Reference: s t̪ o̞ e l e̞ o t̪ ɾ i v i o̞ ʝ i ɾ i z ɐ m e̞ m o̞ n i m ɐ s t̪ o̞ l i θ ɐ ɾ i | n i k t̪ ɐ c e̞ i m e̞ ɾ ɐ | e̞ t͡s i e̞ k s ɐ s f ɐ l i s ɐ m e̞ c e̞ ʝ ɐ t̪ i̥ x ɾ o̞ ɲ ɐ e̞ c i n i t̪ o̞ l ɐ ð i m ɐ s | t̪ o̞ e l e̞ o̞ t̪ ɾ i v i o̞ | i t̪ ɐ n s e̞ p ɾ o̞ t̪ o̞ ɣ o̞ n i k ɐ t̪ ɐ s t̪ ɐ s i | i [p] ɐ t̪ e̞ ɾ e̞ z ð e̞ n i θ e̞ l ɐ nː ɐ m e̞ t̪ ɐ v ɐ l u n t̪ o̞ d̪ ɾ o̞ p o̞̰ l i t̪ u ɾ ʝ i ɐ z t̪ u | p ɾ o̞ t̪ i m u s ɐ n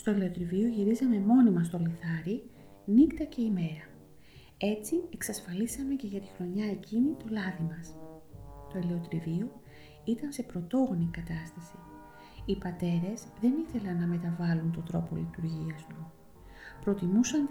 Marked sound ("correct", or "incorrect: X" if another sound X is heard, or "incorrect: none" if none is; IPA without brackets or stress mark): correct